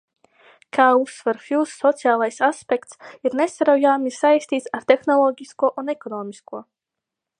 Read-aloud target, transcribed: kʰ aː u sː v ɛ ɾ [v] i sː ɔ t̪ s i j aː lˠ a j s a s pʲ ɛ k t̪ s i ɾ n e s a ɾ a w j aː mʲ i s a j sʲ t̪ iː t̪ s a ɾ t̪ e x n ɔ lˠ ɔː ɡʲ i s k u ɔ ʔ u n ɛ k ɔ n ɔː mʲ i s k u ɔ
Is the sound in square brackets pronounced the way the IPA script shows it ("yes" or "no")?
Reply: no